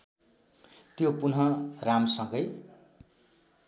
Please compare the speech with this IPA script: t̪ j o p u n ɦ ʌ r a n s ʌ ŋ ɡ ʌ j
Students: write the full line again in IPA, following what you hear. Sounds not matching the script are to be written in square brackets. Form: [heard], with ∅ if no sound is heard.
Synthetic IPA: t̪ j o p u n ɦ ʌ r a [m] s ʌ ŋ ɡ ʌ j